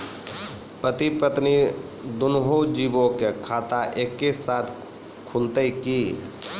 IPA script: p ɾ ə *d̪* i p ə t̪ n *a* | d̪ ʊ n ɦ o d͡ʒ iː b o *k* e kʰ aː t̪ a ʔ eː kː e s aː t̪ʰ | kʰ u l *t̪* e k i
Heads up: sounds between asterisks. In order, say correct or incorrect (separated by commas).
incorrect, incorrect, correct, correct